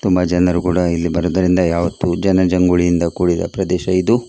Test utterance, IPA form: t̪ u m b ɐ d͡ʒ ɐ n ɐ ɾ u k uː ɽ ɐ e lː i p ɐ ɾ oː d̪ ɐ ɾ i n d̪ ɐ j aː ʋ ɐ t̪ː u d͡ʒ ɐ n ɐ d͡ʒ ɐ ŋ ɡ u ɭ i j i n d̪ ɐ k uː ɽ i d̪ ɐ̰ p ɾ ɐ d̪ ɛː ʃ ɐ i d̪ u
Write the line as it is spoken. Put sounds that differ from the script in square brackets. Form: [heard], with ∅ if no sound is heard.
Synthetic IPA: t̪ u m b ɐ d͡ʒ ɐ n ɐ ɾ u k uː ɽ ɐ [i] lː i [b] ɐ ɾ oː d̪ ɐ ɾ i n d̪ ɐ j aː ʋ ɐ t̪ː u d͡ʒ ɐ n ɐ d͡ʒ ɐ ŋ ɡ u ɭ i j i n d̪ ɐ k uː ɽ i d̪ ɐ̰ p ɾ ɐ d̪ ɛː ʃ ɐ i d̪ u